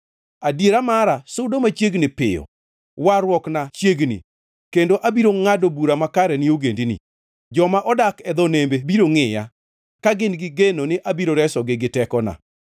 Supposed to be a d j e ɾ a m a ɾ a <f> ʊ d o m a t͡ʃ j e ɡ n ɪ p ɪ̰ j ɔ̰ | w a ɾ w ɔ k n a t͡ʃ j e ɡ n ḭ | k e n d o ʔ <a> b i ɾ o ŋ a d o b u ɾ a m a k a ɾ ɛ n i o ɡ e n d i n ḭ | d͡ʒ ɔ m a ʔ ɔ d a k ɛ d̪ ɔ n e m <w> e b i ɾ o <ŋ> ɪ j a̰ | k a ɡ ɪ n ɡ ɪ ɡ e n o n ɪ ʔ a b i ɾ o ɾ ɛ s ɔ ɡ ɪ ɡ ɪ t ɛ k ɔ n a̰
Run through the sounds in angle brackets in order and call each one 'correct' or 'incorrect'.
incorrect: s, correct, incorrect: b, correct

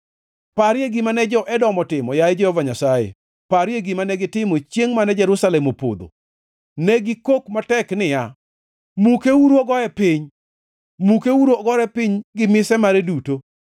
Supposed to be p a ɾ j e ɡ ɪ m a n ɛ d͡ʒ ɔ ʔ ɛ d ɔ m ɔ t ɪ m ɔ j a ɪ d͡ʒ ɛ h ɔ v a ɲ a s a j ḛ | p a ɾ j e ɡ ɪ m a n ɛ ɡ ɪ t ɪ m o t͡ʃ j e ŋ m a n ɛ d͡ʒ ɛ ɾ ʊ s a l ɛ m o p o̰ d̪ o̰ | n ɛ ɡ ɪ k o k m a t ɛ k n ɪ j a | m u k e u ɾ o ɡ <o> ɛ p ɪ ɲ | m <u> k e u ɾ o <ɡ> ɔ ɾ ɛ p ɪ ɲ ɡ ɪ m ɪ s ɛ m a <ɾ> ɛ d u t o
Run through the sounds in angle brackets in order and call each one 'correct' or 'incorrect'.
incorrect: ɔ, correct, correct, correct

